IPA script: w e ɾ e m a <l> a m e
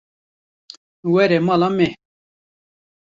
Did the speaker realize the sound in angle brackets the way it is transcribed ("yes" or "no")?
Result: yes